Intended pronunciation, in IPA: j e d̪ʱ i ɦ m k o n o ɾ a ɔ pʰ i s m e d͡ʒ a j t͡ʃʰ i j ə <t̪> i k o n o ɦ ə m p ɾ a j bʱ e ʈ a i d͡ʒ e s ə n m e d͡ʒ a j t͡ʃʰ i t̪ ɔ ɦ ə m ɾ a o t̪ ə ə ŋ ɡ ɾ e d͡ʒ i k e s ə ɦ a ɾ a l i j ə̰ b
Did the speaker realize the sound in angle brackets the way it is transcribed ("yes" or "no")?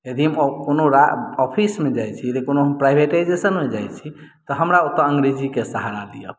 no